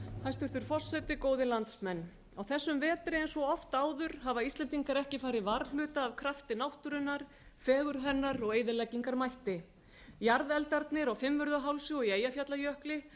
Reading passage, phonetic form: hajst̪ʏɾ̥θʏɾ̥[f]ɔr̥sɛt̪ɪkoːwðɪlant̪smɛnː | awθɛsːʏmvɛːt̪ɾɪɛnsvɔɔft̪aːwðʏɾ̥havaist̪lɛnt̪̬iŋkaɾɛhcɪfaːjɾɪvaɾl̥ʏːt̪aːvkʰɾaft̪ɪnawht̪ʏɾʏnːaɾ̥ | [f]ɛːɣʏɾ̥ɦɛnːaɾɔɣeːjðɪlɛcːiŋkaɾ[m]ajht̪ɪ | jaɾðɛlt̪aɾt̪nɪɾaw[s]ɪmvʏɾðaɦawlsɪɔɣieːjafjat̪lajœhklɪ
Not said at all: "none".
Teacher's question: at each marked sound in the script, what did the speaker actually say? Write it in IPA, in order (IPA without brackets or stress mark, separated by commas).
f, f, m, f